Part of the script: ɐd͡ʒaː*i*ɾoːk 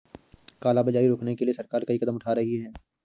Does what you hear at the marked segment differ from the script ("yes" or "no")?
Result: no